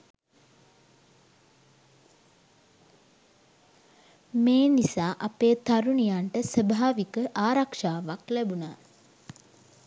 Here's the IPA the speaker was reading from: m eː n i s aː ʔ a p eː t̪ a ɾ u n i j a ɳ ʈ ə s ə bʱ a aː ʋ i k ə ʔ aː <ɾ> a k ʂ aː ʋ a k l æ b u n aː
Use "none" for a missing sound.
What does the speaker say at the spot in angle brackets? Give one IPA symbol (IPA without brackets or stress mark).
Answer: ɾ